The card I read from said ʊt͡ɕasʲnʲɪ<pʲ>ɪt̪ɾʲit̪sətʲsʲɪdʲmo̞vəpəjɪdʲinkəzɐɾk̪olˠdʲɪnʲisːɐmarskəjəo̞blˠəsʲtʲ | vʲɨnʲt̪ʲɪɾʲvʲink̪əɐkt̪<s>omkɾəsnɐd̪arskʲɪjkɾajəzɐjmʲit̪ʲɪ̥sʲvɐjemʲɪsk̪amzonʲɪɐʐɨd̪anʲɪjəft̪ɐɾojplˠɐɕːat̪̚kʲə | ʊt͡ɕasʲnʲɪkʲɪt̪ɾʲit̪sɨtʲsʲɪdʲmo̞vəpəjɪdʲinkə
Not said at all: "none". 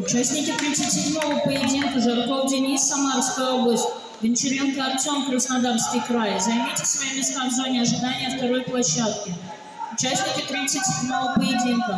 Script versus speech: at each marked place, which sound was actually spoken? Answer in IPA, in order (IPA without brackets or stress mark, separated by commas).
kʲ, s